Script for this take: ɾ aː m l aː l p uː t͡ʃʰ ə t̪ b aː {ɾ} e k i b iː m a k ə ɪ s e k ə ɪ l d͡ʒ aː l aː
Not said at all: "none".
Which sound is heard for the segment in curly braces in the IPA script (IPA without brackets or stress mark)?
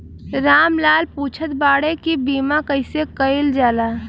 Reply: ɽ